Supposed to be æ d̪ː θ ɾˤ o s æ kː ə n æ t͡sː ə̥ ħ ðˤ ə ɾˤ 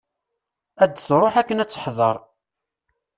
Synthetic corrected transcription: æ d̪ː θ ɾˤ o ħ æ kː ə n æ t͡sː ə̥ ħ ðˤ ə ɾˤ